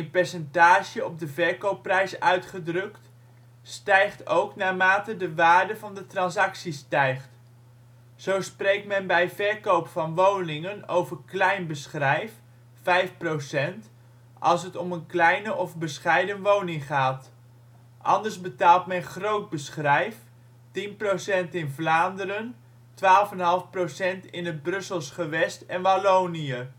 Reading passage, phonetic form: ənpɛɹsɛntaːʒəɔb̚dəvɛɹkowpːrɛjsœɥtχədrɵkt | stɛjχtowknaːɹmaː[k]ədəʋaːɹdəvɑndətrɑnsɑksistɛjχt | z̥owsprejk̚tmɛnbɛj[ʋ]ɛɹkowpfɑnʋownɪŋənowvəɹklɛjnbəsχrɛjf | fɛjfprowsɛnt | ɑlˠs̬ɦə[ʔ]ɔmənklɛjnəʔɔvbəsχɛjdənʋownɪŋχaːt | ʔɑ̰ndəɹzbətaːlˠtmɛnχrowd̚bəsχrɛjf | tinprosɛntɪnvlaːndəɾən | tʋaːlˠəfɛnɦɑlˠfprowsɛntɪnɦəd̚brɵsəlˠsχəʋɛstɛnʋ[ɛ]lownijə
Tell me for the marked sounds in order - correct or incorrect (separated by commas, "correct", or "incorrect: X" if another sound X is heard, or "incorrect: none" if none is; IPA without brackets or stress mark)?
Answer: incorrect: t, incorrect: v, incorrect: t, incorrect: a